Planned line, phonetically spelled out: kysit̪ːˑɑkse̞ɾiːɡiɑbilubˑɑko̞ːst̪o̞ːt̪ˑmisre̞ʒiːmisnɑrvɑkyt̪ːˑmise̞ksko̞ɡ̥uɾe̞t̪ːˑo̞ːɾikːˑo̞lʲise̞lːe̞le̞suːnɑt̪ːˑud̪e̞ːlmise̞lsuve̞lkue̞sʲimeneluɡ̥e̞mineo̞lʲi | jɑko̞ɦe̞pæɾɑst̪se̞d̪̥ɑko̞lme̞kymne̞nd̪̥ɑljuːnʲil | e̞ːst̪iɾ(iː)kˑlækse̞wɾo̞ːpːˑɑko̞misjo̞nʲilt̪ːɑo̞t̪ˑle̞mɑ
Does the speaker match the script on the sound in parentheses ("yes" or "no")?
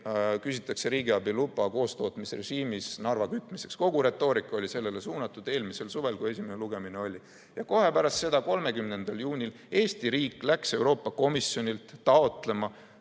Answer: yes